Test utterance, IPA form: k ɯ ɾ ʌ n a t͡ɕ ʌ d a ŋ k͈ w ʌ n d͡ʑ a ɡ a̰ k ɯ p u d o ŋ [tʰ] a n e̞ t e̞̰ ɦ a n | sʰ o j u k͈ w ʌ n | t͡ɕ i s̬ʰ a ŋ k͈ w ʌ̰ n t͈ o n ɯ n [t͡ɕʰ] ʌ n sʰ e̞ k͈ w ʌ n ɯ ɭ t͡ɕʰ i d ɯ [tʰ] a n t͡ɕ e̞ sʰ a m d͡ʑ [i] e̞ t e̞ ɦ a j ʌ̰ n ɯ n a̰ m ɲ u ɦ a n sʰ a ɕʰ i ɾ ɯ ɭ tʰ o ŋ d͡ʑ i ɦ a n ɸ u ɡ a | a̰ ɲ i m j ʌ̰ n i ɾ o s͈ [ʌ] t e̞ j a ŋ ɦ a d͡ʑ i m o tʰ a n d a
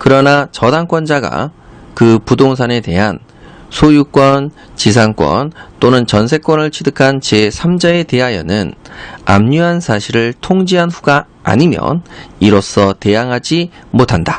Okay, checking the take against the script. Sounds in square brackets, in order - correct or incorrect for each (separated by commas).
incorrect, incorrect, incorrect, incorrect, correct